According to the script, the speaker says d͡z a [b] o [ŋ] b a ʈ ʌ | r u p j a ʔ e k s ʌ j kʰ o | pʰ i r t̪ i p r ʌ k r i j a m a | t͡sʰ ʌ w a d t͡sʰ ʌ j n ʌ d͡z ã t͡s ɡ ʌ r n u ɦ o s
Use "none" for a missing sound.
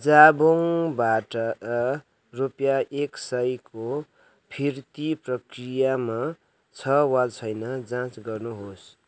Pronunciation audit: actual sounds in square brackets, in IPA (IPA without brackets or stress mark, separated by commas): b, ŋ